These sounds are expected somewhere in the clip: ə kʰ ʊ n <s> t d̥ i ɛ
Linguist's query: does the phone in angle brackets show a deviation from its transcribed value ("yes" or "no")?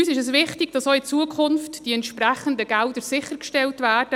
yes